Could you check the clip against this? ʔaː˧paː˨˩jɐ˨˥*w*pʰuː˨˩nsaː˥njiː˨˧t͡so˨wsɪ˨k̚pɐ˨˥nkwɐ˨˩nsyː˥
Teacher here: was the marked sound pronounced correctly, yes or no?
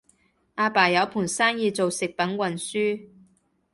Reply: yes